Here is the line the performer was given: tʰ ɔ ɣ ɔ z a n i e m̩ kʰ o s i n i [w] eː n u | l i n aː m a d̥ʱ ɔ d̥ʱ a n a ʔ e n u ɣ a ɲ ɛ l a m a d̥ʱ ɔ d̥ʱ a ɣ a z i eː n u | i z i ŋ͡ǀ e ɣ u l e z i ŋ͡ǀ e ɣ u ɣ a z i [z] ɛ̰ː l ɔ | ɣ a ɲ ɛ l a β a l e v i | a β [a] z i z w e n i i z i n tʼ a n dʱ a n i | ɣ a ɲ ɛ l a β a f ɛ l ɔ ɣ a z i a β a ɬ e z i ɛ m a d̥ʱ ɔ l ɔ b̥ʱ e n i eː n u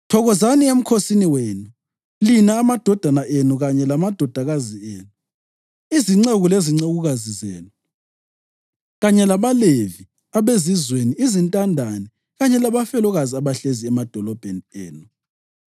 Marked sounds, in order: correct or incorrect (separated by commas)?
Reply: correct, correct, incorrect